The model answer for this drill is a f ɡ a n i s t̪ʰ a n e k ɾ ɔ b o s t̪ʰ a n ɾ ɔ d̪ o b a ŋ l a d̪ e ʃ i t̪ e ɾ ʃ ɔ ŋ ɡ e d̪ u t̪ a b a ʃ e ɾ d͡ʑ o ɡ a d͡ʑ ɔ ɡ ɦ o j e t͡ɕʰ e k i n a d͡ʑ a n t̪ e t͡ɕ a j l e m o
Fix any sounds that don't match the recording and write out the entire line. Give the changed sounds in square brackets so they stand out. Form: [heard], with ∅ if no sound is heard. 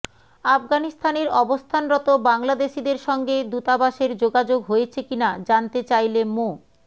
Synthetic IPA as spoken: a f ɡ a n i s t̪ʰ a n e [∅] ɾ ɔ b o s t̪ʰ a n ɾ ɔ [t̪] o b a ŋ l a d̪ e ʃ i [d̪] e ɾ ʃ ɔ ŋ ɡ e d̪ u t̪ a b a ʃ e ɾ d͡ʑ o ɡ a d͡ʑ [o] ɡ ɦ o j e t͡ɕʰ e k i n a d͡ʑ a n t̪ e t͡ɕ a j l e m o

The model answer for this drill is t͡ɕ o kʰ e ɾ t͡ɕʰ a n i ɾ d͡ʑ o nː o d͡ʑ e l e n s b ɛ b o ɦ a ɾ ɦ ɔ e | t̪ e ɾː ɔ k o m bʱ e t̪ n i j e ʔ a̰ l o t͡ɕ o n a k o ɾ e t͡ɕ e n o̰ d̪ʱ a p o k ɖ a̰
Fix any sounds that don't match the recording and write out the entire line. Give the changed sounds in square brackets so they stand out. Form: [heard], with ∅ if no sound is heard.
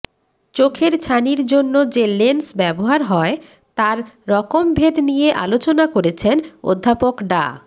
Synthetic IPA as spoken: t͡ɕ o kʰ e ɾ t͡ɕʰ a n i ɾ d͡ʑ o nː o d͡ʑ e l e n s b ɛ b o ɦ a ɾ ɦ ɔ e | t̪ [a] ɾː ɔ k o m bʱ e [d̪] n i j e ʔ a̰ l o t͡ɕ o n a k o ɾ e [t͡ɕʰ] e n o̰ [d̪ʱː] a p o k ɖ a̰

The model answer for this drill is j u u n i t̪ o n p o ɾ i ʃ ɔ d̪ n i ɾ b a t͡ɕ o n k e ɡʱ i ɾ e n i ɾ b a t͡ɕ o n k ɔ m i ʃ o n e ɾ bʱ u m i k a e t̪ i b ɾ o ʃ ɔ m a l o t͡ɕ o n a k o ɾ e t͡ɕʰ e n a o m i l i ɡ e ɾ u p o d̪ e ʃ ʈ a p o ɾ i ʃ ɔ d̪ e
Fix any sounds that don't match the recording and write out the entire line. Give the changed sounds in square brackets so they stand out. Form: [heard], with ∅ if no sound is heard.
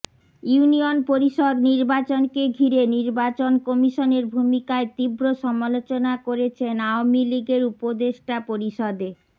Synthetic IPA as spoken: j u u n i [∅] o n p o ɾ i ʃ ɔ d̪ n i ɾ b a t͡ɕ o n k e ɡʱ i ɾ e n i ɾ b a t͡ɕ o n k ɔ m i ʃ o n e ɾ bʱ u m i k a e t̪ i b ɾ o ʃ ɔ m a l o t͡ɕ o n a k o ɾ e t͡ɕʰ e n a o m i l i ɡ e ɾ u p o d̪ e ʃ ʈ a p o ɾ i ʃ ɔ d̪ e

